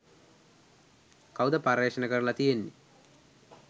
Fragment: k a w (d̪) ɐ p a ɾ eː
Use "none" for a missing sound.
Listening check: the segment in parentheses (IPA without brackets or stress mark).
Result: d̪